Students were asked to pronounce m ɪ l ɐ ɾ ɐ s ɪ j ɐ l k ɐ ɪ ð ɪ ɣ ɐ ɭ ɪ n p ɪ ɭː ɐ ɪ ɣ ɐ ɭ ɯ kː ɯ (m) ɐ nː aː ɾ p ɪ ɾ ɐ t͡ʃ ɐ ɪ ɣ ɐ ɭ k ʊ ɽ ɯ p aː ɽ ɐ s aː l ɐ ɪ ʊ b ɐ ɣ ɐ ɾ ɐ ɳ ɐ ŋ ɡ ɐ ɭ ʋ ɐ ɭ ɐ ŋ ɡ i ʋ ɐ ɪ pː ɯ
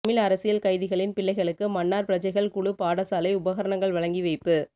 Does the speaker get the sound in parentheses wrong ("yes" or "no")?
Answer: no